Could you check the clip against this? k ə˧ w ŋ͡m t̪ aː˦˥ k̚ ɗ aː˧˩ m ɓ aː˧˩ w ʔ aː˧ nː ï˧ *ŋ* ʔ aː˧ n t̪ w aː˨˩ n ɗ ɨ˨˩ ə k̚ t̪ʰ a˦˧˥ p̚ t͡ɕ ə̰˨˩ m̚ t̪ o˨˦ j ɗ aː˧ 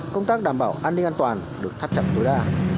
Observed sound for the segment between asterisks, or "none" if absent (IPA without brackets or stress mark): ŋ